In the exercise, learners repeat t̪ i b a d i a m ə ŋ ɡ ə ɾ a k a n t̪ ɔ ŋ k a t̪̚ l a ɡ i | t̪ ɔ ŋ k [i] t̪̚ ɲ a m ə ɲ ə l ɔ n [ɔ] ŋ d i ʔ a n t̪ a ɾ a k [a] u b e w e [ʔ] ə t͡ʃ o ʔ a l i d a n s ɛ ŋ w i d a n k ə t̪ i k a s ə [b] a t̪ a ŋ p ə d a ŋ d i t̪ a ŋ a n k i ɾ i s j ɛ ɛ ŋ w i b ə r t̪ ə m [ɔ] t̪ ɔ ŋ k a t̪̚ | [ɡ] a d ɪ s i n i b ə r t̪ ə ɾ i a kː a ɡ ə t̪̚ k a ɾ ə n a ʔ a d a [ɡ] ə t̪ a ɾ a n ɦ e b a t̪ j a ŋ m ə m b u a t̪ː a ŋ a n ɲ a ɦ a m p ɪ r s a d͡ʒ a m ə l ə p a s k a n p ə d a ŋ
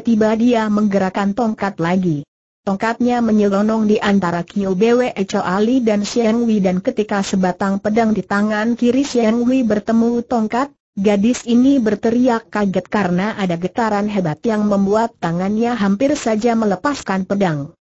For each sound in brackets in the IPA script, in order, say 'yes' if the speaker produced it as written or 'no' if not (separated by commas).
no, yes, no, yes, yes, no, yes, yes